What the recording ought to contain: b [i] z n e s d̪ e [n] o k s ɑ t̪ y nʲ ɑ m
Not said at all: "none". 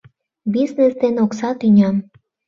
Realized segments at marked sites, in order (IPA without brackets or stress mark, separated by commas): i, n